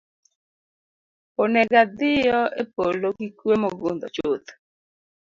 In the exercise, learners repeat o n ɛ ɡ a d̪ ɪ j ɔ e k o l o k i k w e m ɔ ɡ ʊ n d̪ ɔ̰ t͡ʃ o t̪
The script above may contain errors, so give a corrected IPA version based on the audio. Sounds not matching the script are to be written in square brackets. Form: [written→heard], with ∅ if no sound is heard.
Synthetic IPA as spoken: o n ɛ ɡ a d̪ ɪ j ɔ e [k→p] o l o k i k w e m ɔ ɡ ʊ n d̪ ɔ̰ t͡ʃ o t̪